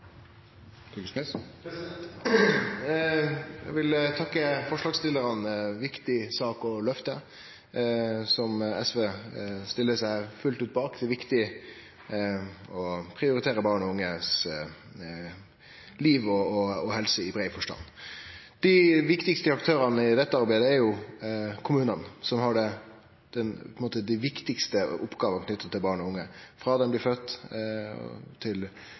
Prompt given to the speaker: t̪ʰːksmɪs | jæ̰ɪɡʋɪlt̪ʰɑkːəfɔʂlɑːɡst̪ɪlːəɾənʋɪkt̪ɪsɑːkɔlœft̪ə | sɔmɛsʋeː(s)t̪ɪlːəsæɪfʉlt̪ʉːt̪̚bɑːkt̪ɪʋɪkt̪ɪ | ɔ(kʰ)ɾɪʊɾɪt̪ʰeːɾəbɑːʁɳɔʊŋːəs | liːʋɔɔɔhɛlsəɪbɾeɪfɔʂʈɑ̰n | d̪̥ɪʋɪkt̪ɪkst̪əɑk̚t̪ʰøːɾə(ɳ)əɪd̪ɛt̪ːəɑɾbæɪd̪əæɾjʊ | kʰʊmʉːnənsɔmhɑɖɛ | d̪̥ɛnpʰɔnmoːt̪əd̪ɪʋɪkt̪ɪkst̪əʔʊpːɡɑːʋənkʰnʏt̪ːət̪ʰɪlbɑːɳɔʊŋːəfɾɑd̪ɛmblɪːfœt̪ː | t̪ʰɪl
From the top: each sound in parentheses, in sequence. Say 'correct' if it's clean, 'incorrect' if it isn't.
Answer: correct, incorrect: pʰ, incorrect: n

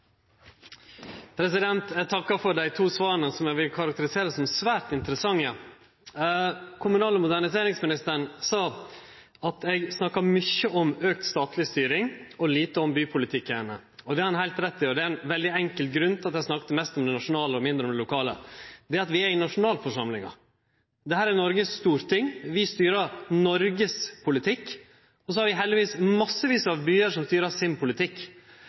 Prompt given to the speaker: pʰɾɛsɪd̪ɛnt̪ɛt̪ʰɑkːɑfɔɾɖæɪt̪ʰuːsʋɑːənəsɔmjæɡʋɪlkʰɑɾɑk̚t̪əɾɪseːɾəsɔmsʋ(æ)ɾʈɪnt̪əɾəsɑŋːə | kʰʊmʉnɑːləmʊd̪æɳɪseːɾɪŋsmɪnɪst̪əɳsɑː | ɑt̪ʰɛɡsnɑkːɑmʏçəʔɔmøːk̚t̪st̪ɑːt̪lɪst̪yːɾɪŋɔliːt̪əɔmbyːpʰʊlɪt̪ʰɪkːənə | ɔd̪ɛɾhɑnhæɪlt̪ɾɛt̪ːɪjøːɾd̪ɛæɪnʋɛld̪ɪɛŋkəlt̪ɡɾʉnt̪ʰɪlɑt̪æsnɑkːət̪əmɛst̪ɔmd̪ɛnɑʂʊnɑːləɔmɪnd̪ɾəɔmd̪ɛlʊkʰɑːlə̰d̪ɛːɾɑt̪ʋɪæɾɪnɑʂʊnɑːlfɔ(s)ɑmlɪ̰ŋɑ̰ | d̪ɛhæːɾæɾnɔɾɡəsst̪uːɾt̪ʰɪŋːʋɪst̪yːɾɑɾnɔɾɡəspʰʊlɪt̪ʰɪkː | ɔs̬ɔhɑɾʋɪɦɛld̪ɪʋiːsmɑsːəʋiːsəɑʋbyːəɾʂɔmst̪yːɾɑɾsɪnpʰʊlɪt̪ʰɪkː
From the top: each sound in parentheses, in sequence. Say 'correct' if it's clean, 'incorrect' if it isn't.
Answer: incorrect: æː, incorrect: ʂ

